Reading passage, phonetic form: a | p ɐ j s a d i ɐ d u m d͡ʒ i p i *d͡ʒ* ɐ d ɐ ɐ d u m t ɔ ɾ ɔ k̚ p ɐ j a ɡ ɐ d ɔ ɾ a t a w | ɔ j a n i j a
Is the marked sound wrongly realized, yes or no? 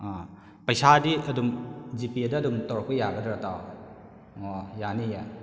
yes